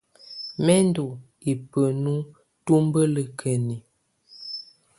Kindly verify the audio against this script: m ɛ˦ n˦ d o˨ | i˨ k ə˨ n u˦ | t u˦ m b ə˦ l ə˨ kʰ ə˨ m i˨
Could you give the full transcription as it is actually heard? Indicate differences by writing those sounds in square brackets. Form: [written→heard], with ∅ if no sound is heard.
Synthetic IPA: m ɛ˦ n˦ d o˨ | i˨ [k→p] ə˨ n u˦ | t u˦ m b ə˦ l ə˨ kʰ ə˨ [m→n] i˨